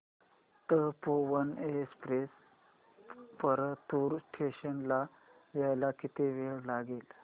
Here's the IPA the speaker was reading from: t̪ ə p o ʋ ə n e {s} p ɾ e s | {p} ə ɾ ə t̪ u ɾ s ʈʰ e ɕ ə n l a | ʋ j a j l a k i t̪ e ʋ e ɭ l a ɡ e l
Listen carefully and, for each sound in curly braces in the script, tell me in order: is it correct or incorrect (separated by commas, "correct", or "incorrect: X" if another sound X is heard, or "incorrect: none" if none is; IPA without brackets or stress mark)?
correct, correct